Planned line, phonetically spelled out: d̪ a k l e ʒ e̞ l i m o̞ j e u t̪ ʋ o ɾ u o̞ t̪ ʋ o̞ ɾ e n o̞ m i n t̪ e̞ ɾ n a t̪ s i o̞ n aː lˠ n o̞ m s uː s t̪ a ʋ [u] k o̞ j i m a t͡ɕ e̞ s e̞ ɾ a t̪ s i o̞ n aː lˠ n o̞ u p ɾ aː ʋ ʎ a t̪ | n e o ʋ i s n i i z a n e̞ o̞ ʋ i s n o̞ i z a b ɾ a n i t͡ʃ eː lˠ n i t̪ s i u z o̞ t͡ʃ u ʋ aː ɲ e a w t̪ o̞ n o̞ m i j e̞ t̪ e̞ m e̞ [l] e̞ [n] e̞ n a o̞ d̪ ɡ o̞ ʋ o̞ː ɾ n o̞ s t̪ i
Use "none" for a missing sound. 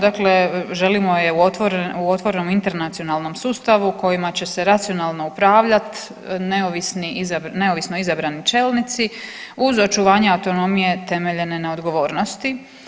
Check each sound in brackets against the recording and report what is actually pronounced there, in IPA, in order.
u, ʎ, n

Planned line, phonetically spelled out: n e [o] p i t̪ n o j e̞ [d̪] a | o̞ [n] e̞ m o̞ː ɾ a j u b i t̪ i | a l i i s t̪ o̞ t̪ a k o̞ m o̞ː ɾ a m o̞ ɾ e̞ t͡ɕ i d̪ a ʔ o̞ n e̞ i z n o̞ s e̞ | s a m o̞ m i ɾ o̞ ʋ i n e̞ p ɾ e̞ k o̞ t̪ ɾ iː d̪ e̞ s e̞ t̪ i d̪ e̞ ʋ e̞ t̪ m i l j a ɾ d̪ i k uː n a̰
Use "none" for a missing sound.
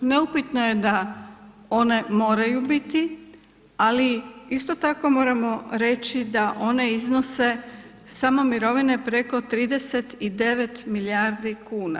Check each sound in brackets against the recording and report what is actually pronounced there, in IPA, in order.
u, d̪, n

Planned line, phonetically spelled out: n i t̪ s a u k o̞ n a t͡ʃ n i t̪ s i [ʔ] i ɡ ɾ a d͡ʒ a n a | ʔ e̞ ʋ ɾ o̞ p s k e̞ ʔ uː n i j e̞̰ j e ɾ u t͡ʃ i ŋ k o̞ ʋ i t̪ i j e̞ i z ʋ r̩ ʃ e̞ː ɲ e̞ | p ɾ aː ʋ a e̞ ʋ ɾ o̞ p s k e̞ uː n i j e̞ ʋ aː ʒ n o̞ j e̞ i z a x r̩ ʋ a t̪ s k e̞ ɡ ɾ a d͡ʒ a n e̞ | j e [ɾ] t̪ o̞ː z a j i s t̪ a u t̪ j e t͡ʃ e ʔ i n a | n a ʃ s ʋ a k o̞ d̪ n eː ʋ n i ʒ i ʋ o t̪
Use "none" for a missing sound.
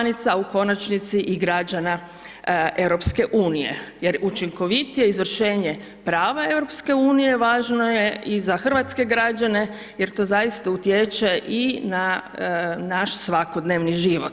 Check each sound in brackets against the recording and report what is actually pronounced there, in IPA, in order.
ʔ, ɾ

